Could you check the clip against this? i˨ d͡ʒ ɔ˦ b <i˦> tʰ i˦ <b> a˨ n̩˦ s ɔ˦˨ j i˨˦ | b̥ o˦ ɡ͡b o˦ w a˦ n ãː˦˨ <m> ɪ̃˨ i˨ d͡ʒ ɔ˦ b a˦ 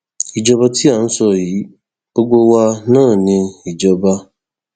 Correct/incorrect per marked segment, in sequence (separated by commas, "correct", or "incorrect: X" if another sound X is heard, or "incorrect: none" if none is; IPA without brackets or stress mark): incorrect: a˦, incorrect: none, incorrect: n